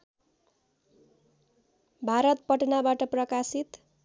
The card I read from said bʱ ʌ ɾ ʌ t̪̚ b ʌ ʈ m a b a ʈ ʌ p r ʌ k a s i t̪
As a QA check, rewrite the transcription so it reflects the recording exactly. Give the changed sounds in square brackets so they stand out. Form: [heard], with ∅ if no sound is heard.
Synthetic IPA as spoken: bʱ [a] ɾ ʌ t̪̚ [p] ʌ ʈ [n] a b a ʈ ʌ p r ʌ k a s i t̪